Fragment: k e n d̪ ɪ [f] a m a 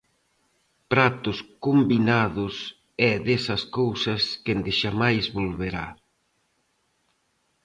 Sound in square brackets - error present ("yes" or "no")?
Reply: yes